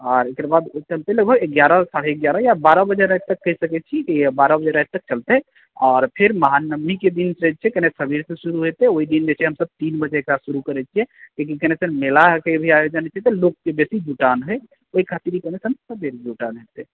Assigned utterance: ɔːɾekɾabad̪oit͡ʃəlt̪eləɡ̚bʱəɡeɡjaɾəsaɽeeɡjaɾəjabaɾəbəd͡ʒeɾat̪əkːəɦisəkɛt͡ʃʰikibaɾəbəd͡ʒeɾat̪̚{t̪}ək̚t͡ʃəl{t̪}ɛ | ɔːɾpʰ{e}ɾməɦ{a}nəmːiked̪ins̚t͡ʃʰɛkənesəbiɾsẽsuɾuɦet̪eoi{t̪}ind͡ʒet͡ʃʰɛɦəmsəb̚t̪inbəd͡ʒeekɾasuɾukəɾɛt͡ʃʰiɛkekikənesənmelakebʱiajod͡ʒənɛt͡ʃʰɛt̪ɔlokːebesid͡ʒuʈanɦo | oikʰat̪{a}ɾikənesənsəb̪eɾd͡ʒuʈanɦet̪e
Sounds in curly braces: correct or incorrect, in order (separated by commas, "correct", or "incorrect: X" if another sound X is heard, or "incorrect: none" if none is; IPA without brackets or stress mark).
correct, correct, correct, correct, incorrect: d̪, incorrect: i